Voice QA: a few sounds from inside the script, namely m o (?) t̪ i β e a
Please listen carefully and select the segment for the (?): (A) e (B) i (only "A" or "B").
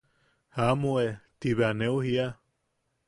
A